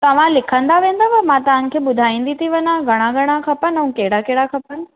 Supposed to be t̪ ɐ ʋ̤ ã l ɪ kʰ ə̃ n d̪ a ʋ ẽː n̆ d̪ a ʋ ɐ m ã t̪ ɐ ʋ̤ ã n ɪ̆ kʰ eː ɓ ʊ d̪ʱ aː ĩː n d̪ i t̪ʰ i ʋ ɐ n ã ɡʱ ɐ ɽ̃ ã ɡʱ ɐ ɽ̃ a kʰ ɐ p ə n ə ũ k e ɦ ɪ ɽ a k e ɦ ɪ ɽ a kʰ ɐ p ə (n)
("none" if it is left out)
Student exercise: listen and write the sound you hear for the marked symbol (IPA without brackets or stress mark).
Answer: n